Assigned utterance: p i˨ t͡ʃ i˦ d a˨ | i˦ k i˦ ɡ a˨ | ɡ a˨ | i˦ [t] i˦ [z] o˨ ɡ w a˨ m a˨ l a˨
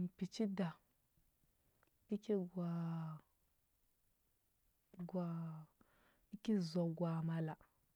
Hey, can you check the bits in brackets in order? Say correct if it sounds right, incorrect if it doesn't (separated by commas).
incorrect, correct